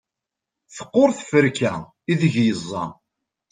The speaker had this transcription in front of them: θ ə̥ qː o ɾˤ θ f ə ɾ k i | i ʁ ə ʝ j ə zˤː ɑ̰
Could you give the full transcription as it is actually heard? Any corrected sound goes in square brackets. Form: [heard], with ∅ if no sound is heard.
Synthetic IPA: θ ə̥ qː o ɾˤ θ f ə ɾ k [æ] | i [ð] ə ʝ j ə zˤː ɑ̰